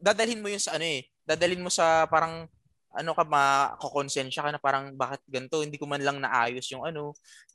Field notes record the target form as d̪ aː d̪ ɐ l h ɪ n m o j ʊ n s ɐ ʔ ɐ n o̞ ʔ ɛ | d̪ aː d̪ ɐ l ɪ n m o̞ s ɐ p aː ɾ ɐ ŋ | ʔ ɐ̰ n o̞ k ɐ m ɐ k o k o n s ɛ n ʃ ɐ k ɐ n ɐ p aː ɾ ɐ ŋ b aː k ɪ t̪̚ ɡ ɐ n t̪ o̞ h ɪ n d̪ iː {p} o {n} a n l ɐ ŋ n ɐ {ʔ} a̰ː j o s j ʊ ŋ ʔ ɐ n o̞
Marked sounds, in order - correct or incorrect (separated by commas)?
incorrect, incorrect, correct